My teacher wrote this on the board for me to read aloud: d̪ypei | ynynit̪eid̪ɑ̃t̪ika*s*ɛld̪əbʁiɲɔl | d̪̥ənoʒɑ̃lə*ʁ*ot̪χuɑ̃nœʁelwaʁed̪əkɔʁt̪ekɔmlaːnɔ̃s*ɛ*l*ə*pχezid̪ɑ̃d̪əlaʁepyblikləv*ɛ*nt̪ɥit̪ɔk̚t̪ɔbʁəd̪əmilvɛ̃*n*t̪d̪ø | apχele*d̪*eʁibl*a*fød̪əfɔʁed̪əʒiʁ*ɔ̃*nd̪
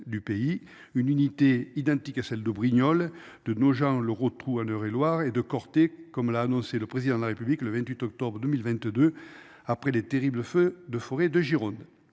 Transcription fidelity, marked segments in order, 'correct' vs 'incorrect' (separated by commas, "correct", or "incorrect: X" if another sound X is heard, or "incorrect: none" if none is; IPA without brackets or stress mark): correct, correct, incorrect: e, correct, incorrect: ɛ̃, correct, incorrect: t̪, incorrect: ə, correct